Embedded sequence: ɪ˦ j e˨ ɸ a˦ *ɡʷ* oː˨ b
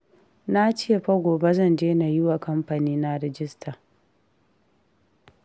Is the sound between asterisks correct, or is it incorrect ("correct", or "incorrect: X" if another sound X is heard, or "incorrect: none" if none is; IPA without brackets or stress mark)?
correct